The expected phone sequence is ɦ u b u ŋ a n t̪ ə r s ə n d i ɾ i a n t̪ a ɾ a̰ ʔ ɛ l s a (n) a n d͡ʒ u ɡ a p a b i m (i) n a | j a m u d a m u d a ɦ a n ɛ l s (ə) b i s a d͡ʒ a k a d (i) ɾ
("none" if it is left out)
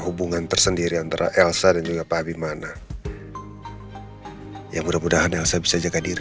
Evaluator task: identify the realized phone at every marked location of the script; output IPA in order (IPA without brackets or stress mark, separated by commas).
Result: d, a, a, i